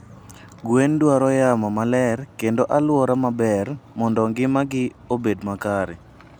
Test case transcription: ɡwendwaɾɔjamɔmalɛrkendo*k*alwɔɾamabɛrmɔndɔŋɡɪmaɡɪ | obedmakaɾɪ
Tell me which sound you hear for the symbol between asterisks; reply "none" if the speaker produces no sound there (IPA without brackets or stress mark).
ʔ